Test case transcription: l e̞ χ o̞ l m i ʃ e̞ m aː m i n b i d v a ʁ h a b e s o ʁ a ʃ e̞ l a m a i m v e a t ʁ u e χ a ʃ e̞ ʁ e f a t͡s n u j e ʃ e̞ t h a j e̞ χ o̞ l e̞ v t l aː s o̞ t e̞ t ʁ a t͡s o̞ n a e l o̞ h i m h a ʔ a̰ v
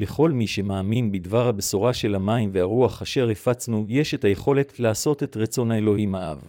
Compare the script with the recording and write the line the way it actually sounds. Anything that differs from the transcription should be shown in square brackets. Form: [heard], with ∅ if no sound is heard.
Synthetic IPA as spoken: l e̞ χ o̞ l m i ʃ e̞ m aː m i n b i d v a ʁ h a b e s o ʁ a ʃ e̞ l a m a i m v e a [∅] ʁ u [a] χ a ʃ e̞ ʁ e f a t͡s n u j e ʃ e̞ t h a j e̞ χ o̞ l e̞ [∅] t l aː s o̞ t e̞ t ʁ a t͡s o̞ n a e l o̞ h i m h a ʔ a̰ v